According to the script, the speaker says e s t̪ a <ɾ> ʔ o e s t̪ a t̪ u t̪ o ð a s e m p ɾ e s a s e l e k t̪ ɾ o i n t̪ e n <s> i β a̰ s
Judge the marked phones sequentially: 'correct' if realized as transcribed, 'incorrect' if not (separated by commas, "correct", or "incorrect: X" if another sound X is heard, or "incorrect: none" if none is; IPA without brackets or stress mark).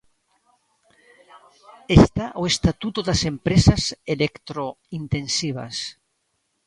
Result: incorrect: none, correct